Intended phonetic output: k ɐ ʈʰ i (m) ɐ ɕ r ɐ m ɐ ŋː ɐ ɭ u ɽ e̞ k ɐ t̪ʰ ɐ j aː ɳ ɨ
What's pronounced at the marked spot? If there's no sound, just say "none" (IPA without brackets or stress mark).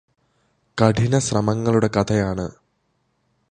n